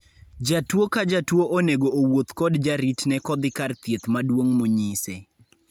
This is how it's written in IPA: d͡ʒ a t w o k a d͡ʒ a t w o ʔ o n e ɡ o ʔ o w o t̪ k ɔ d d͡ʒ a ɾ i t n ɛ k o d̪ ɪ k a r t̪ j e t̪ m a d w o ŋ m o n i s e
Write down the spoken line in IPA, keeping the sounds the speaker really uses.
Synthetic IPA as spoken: d͡ʒ a t w o k a d͡ʒ a t w o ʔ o n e ɡ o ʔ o w o t̪ k ɔ d d͡ʒ a ɾ i t n ɛ k ɔ d̪ ɪ k a r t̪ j e t̪ m a d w o ŋ m o ɲ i s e